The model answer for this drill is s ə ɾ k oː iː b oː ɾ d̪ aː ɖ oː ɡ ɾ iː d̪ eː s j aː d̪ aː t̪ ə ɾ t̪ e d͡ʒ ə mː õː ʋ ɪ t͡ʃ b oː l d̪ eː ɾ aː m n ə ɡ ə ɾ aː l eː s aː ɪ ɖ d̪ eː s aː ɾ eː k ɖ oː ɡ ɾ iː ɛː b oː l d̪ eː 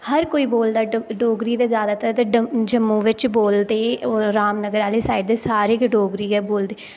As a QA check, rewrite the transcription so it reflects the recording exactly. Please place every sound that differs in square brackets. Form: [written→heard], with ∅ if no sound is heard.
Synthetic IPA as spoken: [s→h] ə ɾ k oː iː b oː [ɾ→l] d̪ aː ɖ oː ɡ ɾ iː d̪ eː [s→z] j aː d̪ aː t̪ ə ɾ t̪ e d͡ʒ ə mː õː ʋ ɪ t͡ʃ b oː l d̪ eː ɾ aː m n ə ɡ ə ɾ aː l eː s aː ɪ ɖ d̪ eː s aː ɾ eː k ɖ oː ɡ ɾ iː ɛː b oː l d̪ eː